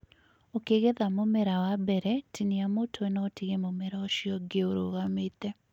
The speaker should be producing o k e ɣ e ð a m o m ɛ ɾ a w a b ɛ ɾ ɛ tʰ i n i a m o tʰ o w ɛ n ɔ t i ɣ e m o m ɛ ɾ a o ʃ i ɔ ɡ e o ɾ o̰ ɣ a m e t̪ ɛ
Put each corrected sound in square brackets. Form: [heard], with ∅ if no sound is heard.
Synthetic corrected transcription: o k e ɣ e ð a m o m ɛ ɾ a w a b ɛ ɾ ɛ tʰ i n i a m o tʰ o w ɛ n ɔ t i ɣ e m o m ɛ ɾ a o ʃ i ɔ ɡ e o ɾ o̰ ɣ a m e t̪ ɛ